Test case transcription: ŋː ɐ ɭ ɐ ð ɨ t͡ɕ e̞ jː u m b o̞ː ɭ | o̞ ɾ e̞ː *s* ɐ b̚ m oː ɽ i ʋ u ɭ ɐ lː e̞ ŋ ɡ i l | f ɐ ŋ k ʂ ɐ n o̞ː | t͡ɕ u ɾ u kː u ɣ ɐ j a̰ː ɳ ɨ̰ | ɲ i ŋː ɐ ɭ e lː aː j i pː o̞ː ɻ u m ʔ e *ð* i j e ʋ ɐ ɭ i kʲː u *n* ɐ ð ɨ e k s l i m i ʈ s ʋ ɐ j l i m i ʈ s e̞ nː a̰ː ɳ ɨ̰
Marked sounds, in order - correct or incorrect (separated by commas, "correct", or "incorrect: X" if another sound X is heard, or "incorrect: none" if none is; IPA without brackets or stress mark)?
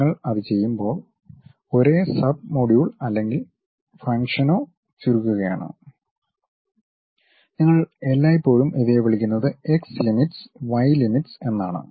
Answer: correct, correct, incorrect: nː